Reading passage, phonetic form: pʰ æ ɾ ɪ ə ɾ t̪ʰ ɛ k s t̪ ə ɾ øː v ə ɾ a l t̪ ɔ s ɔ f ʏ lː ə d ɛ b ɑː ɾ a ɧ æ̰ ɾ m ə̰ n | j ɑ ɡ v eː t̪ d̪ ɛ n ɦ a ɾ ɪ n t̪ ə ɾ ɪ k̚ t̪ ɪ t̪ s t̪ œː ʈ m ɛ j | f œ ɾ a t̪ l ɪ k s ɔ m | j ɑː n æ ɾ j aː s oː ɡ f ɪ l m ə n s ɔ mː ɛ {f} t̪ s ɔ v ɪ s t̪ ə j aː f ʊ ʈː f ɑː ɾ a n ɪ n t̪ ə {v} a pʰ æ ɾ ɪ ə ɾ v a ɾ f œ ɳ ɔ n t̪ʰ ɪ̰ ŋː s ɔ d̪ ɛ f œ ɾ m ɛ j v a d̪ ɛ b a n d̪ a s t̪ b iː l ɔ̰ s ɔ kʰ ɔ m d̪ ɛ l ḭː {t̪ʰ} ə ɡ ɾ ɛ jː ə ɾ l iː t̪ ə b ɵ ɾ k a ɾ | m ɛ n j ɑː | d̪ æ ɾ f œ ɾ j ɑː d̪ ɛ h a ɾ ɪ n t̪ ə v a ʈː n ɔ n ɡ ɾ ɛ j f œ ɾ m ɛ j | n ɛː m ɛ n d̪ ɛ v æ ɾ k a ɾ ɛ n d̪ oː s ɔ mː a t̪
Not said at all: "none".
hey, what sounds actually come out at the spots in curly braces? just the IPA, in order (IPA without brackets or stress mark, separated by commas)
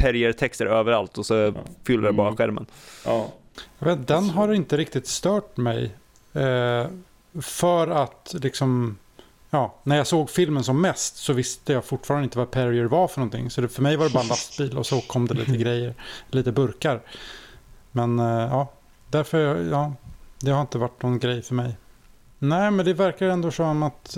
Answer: s, v, t̪